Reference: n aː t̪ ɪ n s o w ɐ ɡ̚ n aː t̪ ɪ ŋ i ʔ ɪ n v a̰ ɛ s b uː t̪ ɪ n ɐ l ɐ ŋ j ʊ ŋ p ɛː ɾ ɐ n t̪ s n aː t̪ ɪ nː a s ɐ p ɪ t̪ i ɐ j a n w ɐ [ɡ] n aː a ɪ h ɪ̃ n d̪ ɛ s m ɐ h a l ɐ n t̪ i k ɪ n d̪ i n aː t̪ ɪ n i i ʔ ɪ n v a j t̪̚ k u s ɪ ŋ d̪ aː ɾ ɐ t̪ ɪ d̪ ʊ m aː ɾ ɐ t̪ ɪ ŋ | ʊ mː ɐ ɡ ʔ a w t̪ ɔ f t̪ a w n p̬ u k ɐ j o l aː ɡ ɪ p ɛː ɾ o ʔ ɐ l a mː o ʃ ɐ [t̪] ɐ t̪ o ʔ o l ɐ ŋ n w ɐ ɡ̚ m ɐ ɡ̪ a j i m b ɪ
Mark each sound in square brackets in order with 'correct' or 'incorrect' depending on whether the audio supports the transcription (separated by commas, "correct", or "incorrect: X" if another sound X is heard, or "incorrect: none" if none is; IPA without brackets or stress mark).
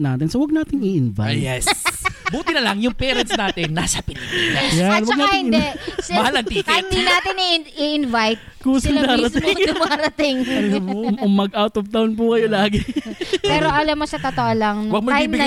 correct, correct